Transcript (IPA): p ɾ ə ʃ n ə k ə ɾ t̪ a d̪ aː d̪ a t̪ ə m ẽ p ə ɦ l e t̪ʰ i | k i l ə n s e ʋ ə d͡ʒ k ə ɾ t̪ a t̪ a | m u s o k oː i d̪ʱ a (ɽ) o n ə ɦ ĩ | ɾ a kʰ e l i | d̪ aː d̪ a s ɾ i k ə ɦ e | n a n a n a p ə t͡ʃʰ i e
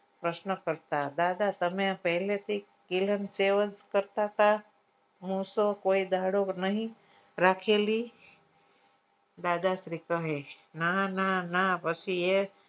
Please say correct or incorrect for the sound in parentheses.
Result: correct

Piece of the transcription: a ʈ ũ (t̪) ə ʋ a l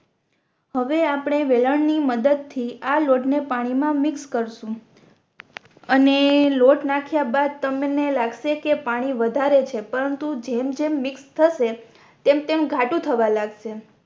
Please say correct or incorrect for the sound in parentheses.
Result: incorrect: t̪ʰ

